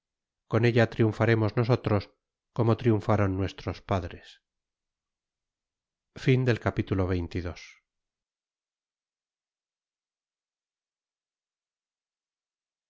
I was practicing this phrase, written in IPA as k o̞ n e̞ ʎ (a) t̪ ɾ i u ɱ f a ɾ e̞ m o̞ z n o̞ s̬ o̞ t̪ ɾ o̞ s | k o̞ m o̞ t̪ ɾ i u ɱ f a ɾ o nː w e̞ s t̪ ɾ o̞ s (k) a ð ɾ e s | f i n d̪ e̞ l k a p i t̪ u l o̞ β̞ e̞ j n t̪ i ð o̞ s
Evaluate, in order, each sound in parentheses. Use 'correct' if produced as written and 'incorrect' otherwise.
correct, incorrect: p

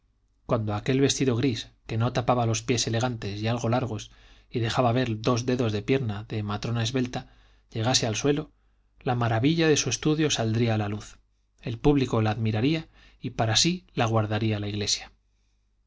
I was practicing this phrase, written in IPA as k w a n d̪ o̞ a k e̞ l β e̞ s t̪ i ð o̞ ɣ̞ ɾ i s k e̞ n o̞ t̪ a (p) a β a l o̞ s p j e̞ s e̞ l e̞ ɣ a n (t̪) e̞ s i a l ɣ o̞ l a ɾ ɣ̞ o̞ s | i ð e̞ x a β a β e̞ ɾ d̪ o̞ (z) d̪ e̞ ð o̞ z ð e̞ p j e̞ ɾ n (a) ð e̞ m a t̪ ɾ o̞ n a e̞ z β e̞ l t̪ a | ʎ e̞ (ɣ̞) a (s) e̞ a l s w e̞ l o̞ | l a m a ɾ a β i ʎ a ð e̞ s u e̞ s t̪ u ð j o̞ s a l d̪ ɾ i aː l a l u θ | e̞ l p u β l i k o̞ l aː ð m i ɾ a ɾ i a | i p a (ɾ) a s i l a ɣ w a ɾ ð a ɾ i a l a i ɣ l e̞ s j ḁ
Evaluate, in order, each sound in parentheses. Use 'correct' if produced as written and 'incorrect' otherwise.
correct, correct, correct, correct, correct, correct, correct

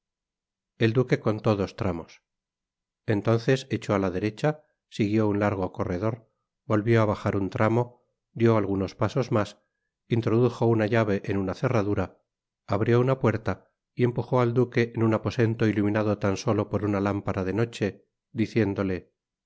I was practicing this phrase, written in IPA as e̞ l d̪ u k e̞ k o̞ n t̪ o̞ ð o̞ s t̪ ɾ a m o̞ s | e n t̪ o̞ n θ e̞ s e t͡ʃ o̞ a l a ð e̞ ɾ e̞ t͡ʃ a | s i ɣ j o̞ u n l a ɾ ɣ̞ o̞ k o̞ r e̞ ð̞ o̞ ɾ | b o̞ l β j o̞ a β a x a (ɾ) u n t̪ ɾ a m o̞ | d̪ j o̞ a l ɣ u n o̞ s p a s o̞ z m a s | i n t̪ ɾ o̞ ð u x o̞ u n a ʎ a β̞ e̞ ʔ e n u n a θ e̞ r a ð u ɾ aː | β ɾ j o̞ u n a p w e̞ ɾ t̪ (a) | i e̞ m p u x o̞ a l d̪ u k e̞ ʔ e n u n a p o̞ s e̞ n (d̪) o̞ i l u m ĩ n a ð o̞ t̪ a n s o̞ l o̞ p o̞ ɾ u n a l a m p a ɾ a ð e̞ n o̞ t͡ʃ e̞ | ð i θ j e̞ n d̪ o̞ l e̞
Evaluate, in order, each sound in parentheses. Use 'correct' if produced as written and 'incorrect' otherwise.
correct, correct, incorrect: t̪

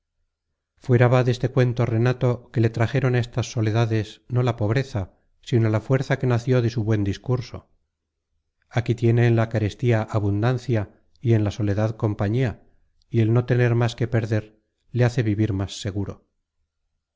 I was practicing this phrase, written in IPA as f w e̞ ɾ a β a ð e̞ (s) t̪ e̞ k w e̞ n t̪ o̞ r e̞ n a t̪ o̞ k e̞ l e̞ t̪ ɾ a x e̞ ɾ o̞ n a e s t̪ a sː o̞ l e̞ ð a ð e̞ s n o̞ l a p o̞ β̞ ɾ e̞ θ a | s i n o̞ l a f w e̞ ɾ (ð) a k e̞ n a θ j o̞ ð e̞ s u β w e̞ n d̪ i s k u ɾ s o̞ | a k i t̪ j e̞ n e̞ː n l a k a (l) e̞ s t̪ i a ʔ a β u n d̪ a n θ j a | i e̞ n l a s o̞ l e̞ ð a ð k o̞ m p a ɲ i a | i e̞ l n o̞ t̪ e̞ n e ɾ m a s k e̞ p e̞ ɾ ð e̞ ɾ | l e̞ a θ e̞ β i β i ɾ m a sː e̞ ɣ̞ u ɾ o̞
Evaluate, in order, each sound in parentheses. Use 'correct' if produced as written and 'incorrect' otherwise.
correct, incorrect: θ, incorrect: ɾ

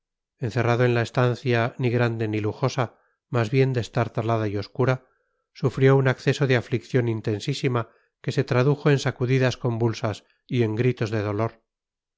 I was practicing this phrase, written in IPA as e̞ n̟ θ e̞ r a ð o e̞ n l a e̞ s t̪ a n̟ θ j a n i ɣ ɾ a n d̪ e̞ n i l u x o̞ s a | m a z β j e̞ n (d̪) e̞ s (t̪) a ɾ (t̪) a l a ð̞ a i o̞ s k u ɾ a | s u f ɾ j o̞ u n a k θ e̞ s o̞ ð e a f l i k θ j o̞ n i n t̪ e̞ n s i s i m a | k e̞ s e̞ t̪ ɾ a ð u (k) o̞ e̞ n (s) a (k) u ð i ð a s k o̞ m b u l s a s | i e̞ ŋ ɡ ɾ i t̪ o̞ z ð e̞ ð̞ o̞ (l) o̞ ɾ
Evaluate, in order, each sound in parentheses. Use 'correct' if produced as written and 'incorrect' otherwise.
correct, correct, correct, incorrect: x, correct, correct, correct

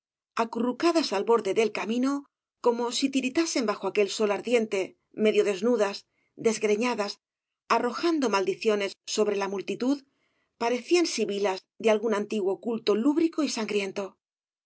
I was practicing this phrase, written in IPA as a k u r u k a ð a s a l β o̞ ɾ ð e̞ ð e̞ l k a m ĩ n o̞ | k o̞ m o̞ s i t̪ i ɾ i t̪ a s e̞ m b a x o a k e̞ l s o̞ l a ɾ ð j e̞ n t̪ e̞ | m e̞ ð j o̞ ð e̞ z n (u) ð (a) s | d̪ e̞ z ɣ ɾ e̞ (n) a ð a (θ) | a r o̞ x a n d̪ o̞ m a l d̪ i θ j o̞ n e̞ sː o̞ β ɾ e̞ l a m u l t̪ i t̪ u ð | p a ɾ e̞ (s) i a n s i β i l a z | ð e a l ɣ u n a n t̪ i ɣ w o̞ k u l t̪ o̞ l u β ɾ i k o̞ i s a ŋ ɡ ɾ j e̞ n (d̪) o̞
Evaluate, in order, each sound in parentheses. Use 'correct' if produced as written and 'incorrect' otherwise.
correct, correct, incorrect: ɲ, incorrect: s, incorrect: θ, incorrect: t̪

